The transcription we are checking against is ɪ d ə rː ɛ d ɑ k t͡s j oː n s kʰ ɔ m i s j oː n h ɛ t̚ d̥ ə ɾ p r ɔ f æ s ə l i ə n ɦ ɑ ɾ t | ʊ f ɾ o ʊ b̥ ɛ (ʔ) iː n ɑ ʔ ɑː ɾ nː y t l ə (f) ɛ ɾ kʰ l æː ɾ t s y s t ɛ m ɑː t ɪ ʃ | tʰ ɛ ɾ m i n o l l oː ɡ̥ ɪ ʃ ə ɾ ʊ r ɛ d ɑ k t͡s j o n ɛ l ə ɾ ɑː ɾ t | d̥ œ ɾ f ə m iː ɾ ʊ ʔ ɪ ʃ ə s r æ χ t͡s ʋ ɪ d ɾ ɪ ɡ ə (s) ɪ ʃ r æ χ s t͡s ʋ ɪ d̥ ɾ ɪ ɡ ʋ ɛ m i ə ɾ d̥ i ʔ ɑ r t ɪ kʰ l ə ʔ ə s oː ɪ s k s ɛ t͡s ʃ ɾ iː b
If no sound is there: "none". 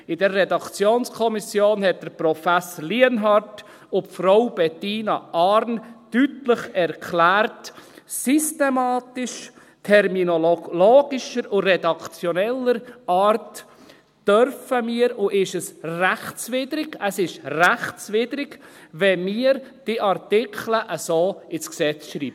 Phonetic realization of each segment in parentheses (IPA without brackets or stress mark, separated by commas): t, χ, s